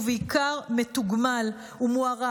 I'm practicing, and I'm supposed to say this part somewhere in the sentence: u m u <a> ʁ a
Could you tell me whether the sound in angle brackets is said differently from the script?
no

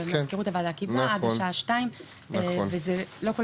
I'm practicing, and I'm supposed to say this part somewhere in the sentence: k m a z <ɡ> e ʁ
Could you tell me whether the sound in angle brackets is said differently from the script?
yes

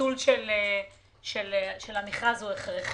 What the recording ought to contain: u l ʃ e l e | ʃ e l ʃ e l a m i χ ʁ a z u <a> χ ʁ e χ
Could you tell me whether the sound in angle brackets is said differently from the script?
yes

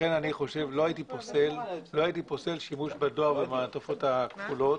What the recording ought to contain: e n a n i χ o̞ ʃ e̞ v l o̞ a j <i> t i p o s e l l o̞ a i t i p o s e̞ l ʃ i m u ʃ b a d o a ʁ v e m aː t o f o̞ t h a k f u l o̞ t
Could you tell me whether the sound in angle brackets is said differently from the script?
no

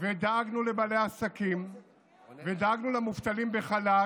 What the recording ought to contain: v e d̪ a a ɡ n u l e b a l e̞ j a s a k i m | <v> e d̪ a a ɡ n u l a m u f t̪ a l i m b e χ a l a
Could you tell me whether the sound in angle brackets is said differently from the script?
no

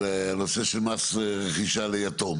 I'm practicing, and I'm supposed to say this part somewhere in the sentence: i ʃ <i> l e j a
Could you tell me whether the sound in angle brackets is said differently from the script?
yes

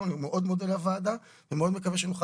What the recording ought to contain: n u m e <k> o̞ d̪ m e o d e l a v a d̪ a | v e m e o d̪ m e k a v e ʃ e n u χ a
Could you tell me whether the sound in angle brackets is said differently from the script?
yes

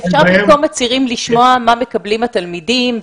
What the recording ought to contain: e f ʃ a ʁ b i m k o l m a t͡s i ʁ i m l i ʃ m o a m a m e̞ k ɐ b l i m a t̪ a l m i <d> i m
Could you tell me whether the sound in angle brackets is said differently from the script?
no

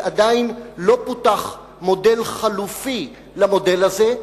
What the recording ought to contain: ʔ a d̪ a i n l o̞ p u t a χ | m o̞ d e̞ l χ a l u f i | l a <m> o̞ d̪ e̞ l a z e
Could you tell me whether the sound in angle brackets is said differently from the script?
no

